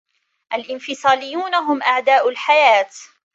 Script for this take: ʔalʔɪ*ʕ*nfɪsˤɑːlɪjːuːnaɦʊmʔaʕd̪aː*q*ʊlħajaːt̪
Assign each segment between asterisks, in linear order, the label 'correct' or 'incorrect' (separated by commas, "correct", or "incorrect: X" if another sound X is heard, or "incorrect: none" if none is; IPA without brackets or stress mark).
incorrect: none, incorrect: ʔ